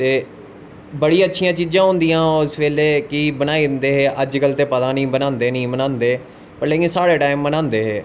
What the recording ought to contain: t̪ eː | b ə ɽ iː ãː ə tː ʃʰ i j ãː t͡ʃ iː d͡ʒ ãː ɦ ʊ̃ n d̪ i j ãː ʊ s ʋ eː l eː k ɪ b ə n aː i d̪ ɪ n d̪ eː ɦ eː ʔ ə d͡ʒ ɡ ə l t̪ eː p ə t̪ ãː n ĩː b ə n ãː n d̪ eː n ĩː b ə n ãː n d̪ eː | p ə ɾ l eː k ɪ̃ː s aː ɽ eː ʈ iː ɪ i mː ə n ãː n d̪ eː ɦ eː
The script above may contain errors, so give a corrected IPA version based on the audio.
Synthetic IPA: t̪ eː | b ə ɽ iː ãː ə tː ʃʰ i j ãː t͡ʃ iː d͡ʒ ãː ɦ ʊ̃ n d̪ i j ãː ʊ s ʋ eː l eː k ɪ b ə n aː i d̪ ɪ n d̪ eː ɦ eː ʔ ə d͡ʒ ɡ ə l t̪ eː p ə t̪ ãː n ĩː b ə n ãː n d̪ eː n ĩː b ə n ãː n d̪ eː | p ə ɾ l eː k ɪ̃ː s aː ɽ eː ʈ aː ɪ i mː ə n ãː n d̪ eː ɦ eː